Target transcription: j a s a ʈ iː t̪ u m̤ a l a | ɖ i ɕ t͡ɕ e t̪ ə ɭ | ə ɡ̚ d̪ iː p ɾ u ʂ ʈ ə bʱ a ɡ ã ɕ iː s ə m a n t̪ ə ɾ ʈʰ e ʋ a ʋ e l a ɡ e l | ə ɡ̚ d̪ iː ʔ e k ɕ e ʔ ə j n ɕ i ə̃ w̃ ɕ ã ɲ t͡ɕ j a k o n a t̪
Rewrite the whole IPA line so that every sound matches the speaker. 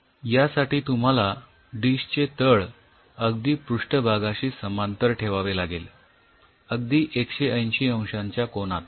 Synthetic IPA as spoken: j a s a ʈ iː t̪ u m̤ a l a | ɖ i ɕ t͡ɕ e t̪ ə ɭ | ə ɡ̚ d̪ iː p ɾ u ʂ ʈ ə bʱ a ɡ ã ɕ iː s ə m a n t̪ ə ɾ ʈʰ e ʋ a ʋ e l a ɡ e l | ə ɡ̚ d̪ iː ʔ e k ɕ e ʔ ə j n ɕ i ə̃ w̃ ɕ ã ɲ t͡ɕ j a k o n a t̪